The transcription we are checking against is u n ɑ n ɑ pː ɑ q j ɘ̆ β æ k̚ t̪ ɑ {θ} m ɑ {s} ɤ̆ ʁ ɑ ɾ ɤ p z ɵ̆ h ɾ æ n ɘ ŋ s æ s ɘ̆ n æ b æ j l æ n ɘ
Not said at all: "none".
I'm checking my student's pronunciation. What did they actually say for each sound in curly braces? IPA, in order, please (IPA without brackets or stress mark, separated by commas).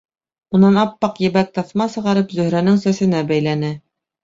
θ, s